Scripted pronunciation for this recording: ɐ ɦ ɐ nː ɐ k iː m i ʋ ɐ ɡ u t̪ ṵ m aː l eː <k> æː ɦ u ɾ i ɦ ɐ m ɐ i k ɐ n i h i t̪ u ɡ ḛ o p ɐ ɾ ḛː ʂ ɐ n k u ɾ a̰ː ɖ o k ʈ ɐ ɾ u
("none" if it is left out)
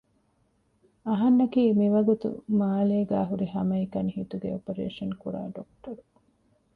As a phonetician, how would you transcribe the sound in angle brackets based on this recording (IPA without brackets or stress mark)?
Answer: ɡ